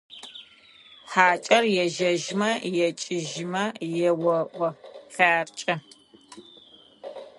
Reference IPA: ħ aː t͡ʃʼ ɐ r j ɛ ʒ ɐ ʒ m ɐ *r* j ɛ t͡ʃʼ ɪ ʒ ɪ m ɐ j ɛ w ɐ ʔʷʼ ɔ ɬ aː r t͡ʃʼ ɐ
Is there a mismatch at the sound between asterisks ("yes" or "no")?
yes